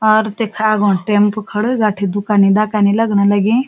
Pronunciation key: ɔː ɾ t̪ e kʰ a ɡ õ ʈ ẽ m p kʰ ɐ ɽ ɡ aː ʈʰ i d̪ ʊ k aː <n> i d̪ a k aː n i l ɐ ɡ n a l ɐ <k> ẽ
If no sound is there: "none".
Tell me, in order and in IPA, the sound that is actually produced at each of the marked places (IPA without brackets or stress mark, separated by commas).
n, ɡ